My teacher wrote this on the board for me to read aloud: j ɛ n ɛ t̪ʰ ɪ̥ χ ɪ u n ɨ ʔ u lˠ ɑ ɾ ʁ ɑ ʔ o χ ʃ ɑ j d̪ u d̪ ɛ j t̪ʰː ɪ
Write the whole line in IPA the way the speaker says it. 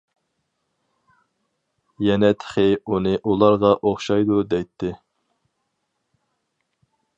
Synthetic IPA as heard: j ɛ n ɛ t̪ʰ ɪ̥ χ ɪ u n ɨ ʔ u lˠ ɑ ɾ ʁ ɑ ʔ o χ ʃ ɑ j d̪ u d̪ ɛ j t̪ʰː ɪ